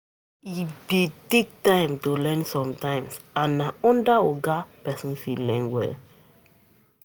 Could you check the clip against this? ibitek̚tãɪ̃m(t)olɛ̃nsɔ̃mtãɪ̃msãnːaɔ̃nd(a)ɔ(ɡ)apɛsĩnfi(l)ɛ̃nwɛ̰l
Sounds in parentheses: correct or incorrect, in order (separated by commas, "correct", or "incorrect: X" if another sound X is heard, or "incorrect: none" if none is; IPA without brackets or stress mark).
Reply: correct, correct, correct, correct